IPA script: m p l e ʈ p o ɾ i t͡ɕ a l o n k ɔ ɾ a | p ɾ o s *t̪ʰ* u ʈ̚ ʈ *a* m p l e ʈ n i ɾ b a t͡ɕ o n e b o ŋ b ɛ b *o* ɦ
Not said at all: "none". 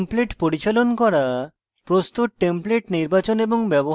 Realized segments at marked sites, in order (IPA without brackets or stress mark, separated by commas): t̪, e, o